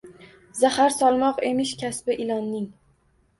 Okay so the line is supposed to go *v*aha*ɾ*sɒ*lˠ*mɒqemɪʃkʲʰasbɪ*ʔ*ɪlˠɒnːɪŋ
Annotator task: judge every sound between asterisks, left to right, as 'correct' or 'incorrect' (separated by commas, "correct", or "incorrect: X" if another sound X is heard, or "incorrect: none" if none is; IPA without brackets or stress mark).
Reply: incorrect: z, correct, correct, correct